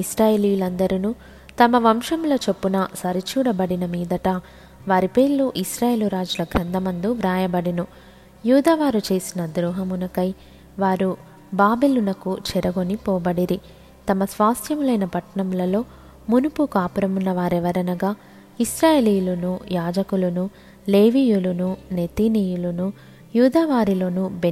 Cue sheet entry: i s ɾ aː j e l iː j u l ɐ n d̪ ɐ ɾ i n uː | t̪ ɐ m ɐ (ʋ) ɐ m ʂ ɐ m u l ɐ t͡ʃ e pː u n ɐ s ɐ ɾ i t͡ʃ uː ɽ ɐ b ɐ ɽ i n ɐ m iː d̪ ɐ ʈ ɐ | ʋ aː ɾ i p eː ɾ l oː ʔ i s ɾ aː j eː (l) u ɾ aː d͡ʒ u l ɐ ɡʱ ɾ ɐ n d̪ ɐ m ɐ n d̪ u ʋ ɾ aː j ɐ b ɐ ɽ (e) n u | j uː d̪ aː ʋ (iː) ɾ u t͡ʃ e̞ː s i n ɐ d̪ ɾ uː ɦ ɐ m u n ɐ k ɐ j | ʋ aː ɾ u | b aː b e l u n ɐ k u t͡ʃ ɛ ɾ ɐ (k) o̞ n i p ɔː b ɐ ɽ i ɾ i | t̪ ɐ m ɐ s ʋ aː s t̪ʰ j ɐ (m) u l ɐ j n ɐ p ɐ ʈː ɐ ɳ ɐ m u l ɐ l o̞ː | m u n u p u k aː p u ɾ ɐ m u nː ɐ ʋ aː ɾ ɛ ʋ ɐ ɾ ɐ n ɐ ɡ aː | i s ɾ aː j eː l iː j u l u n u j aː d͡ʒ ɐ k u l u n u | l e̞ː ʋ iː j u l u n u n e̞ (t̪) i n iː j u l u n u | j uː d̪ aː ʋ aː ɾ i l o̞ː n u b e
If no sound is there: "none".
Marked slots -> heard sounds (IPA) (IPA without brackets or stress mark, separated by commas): ʋ, l, i, aː, ɡ, m, t̪